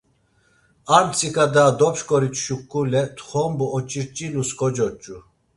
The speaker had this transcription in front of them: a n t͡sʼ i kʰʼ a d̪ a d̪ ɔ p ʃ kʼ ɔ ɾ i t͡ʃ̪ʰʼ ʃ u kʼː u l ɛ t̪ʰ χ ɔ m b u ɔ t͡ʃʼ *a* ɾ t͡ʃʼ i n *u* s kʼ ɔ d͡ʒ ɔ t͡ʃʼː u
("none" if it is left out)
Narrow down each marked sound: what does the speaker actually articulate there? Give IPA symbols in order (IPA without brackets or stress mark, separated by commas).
i, u